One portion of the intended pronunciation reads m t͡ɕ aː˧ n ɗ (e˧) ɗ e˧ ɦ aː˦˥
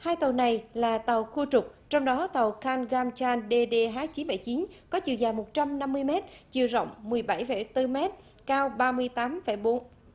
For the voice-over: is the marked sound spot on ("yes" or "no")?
yes